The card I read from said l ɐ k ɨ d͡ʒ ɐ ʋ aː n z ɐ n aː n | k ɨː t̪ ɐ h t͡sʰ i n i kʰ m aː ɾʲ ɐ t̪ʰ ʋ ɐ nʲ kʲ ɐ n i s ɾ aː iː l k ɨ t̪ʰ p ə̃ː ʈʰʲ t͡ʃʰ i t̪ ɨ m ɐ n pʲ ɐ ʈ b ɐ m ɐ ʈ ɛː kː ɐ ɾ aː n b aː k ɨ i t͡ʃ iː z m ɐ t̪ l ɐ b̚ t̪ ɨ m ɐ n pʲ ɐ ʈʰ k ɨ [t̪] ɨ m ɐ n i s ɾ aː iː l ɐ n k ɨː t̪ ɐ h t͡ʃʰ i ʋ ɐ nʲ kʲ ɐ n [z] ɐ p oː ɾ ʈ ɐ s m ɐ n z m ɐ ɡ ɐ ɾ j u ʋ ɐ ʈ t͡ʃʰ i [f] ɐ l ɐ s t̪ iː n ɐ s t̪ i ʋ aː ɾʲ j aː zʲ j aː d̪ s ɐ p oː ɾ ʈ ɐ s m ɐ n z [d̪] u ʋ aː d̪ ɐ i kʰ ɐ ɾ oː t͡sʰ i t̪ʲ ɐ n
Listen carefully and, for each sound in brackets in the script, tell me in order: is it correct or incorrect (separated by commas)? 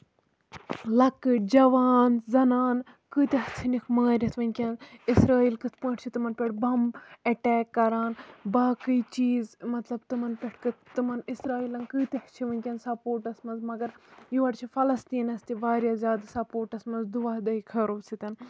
correct, incorrect, correct, correct